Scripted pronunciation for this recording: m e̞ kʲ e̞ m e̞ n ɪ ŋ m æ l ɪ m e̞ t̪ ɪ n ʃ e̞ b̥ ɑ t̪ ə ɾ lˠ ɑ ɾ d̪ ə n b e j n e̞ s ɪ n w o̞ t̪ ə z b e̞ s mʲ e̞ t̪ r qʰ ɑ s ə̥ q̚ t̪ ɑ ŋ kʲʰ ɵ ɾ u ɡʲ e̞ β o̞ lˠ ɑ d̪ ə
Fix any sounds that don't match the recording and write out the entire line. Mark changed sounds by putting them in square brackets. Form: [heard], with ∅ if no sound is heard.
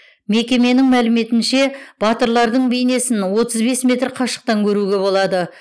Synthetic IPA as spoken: m e̞ kʲ e̞ m e̞ n ɪ ŋ m æ l ɪ m e̞ t̪ ɪ n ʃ e̞ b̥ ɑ t̪ ə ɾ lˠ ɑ ɾ d̪ ə [ɴ] b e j n e̞ s ɪ n w o̞ t̪ ə z b e̞ s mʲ e̞ t̪ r qʰ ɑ [ʃ] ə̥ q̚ t̪ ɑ ŋ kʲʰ ɵ ɾ u ɡʲ e̞ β o̞ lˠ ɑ d̪ ə